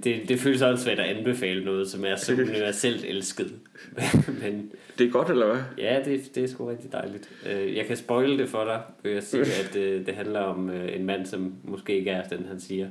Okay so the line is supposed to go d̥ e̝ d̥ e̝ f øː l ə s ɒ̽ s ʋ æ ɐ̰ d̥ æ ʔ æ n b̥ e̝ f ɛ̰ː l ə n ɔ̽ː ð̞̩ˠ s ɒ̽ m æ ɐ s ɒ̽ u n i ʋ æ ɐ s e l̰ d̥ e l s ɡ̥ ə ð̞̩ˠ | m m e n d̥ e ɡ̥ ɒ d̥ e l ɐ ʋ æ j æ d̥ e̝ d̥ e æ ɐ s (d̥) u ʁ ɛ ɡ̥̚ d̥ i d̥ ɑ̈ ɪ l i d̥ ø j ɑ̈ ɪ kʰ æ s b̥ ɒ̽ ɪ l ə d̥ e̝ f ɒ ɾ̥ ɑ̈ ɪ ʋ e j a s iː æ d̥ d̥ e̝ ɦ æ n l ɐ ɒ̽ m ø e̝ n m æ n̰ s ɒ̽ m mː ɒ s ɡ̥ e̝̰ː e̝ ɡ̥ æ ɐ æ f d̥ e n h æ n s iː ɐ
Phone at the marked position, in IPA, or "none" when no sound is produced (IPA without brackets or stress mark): ɡ̥